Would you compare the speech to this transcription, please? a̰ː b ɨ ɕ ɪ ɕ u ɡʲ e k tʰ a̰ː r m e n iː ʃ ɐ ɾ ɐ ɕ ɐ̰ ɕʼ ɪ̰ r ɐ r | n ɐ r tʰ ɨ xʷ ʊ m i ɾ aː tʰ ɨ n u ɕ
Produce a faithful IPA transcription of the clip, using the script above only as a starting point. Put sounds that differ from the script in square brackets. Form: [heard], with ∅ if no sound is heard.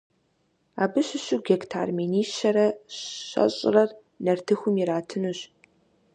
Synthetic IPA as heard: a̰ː b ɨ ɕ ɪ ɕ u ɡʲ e k tʰ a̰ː r m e n iː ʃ ɐ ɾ ɐ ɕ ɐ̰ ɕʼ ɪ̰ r ɐ r | n ɐ r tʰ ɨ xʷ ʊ m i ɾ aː tʰ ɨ n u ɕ

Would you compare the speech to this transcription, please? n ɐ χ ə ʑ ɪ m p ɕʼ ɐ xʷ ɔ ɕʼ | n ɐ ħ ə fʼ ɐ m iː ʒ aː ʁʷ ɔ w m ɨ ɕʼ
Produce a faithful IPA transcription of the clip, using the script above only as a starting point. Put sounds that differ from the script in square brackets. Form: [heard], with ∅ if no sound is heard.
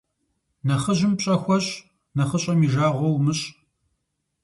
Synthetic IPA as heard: n ɐ χ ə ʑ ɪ m p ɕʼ ɐ xʷ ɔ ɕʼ | n ɐ [χ] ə [ɕʼ] ɐ m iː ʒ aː ʁʷ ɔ w m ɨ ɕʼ

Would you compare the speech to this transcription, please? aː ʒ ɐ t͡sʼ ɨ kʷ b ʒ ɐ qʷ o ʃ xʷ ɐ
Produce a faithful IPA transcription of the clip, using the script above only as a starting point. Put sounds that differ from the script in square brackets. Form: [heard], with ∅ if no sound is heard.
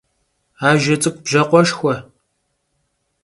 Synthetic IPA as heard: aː ʒ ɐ t͡sʼ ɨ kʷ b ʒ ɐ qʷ [ɔ] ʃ xʷ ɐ

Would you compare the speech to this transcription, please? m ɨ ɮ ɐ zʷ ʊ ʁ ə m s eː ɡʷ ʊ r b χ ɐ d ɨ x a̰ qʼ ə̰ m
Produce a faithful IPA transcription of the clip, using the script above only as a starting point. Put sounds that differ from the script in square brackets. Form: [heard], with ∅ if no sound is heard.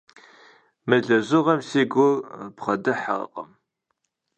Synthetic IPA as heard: m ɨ ɮ ɐ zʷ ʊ ʁ [ɐ] m s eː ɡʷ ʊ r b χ ɐ d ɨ [ħ] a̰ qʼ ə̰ m

